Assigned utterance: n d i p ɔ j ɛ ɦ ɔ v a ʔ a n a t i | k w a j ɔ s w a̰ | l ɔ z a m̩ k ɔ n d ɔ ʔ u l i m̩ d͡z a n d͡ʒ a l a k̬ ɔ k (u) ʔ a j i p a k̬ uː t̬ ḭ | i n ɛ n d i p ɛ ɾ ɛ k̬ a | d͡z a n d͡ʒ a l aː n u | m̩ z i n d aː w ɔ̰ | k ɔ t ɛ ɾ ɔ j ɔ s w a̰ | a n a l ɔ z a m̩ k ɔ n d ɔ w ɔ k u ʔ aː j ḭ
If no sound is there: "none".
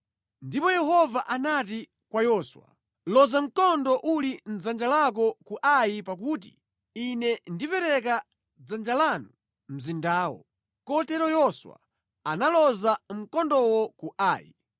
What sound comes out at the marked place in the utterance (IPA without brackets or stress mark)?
u